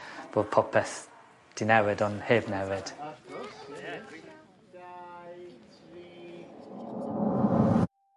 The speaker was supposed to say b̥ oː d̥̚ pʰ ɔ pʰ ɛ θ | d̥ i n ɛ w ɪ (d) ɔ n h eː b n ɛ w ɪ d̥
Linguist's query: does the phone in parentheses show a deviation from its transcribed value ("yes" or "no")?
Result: no